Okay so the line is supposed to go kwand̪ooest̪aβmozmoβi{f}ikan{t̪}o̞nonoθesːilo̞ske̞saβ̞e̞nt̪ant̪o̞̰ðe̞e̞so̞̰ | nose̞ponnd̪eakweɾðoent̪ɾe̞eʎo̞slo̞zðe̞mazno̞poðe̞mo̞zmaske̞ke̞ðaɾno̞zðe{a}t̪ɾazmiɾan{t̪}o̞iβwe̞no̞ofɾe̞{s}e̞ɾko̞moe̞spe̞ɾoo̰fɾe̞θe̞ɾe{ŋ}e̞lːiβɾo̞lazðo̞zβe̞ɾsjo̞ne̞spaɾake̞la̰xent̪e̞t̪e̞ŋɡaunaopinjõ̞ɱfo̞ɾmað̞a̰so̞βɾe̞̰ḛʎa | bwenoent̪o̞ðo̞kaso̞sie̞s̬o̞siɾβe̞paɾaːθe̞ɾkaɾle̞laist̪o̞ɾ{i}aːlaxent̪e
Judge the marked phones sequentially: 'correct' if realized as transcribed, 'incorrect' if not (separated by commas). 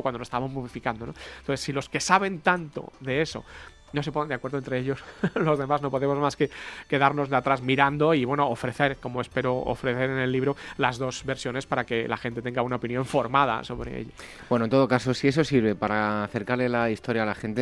correct, incorrect, correct, incorrect, incorrect, incorrect, incorrect